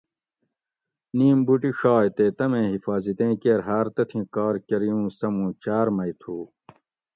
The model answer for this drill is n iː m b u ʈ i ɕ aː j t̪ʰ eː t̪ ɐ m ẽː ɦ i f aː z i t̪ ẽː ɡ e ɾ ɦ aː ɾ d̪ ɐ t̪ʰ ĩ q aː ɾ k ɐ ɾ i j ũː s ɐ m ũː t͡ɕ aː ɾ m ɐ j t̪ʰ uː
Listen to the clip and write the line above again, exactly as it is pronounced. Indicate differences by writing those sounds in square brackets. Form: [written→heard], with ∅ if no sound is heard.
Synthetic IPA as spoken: n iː m b u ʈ i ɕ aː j [t̪ʰ→t̪] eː t̪ ɐ m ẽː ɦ i f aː z i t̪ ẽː [ɡ→k] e ɾ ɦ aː ɾ [d̪→t̪] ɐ t̪ʰ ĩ [q→k] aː ɾ k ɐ ɾ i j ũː s ɐ m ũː t͡ɕ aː ɾ m ɐ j t̪ʰ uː